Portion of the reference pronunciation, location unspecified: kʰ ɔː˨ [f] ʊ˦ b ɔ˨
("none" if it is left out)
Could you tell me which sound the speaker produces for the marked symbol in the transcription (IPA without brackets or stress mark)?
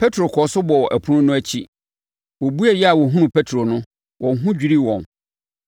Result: s